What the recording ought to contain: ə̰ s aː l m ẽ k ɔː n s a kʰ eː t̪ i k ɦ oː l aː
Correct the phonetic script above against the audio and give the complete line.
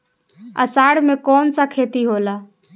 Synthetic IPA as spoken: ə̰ s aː ɽ m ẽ k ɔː n s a kʰ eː t̪ i ɦ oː l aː